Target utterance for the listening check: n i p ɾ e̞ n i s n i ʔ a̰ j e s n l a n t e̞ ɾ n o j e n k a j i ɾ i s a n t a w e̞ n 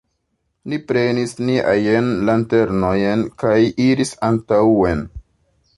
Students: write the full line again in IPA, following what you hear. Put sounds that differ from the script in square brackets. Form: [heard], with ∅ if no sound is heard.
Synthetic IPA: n i p ɾ e̞ n i s n i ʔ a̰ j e [∅] n l a n t e̞ ɾ n o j e n k a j i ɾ i s a n t a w e̞ n

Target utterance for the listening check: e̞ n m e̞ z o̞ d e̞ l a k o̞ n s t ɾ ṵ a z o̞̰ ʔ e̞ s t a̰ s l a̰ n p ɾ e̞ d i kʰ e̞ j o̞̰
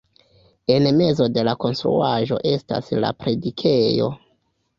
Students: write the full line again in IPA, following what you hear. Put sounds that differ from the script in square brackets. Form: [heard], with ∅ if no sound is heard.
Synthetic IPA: e̞ n m e̞ z o̞ d e̞ l a k o̞ n s t ɾ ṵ a [ʒ] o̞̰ ʔ e̞ s t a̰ s l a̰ [∅] p ɾ e̞ d i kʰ e̞ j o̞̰

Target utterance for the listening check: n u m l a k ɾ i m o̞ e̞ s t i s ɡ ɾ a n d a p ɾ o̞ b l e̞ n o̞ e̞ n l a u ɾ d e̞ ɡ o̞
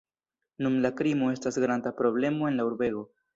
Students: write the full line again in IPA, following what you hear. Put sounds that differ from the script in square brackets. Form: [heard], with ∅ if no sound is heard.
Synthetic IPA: n u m l a k ɾ i m o̞ e̞ s t [a] s ɡ ɾ a n d a p ɾ o̞ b l e̞ [m] o̞ e̞ n l a u ɾ [b] e̞ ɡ o̞

